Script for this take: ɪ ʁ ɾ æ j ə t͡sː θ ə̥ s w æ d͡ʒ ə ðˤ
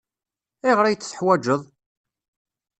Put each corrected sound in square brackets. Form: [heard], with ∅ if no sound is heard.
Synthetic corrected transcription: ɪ ʁ ɾ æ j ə t͡sː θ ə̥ [ħ] w æ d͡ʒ ə ðˤ